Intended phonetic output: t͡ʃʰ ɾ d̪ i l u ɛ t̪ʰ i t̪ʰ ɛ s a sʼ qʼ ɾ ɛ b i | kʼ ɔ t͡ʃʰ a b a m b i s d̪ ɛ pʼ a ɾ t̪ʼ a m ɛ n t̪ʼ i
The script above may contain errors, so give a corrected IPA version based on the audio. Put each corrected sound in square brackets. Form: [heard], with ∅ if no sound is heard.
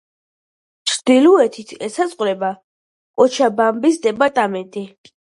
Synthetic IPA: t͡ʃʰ ɾ d̪ i l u ɛ t̪ʰ i t̪ʰ ɛ s a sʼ qʼ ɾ ɛ b [a] | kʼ ɔ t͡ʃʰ a b a m b i s d̪ ɛ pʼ a ɾ t̪ʼ a m ɛ n t̪ʼ i